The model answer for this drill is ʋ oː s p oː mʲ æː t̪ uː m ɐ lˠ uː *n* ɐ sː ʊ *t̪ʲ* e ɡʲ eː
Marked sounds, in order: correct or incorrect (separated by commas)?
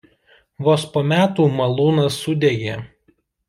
correct, incorrect